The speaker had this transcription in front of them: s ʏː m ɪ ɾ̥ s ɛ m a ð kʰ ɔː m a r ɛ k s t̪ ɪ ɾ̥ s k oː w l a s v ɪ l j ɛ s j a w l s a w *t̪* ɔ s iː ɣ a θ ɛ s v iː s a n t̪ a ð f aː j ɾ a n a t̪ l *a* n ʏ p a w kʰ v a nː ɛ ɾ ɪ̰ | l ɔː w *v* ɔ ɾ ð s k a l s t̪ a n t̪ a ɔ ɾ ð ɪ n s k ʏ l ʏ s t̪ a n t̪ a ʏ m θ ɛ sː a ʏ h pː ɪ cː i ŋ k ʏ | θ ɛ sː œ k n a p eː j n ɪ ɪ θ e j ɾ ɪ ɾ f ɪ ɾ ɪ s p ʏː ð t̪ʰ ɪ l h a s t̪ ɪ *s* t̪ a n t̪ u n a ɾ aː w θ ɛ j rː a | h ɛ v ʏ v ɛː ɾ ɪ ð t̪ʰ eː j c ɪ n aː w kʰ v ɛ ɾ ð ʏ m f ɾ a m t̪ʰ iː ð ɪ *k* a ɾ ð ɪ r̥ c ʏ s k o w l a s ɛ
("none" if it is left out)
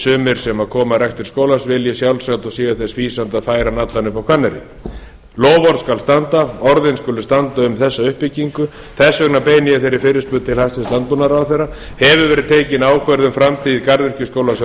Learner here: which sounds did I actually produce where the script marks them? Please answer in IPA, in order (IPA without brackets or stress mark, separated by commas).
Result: t̪, a, v, s, k